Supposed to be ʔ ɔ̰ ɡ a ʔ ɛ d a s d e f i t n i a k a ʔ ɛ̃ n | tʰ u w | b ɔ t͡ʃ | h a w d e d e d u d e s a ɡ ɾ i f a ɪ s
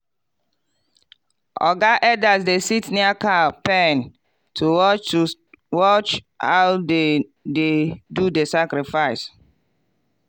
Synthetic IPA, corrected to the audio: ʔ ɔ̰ ɡ a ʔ ɛ d a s d e s i t n i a k a p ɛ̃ n | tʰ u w | w ɔ t͡ʃ | h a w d e d e d u d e s a k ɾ i f a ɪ s